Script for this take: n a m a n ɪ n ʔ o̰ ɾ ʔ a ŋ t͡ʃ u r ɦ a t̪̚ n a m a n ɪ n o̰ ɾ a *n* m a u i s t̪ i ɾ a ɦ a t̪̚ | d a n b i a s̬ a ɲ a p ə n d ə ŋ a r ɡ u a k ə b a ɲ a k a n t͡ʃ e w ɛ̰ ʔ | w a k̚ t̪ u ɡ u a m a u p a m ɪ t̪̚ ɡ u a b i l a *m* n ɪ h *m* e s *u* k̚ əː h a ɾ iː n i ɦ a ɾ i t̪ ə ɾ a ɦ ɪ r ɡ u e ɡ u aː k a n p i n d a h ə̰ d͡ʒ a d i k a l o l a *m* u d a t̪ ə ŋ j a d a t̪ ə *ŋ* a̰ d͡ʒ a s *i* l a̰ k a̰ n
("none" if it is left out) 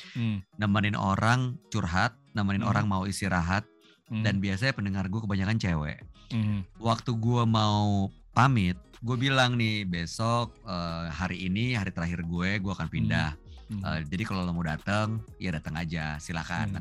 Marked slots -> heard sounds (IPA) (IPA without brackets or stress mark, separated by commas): ŋ, ŋ, b, ɔ, m, ŋ, i